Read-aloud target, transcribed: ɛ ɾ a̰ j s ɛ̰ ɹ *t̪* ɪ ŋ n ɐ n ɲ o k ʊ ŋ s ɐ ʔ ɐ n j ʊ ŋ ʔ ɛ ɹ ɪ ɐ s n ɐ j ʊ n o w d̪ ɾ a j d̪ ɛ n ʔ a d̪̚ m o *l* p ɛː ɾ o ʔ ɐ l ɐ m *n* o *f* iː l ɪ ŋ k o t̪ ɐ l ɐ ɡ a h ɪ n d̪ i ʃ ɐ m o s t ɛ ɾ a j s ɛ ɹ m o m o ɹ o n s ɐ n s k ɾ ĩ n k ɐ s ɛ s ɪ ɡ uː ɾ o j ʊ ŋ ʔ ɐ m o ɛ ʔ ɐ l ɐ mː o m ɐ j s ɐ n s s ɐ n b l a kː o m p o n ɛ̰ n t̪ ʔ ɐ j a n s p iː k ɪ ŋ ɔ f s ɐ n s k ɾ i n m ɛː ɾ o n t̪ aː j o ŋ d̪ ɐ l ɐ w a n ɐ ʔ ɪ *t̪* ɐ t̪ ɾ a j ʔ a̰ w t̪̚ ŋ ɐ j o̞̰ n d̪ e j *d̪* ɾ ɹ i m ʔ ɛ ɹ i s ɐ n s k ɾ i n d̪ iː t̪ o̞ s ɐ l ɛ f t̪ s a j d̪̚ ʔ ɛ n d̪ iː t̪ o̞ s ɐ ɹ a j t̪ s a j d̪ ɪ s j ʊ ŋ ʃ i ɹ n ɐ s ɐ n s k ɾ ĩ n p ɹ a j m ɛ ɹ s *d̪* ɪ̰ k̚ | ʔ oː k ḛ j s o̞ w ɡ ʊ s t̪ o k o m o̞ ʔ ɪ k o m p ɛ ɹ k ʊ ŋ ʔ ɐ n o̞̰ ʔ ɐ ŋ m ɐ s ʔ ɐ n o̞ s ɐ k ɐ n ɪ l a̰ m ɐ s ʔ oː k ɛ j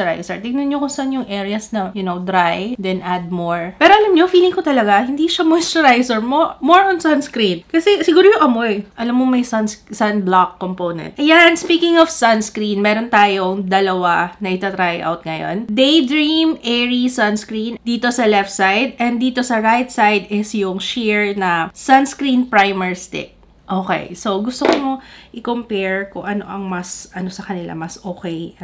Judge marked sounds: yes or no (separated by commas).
yes, no, no, yes, yes, yes, no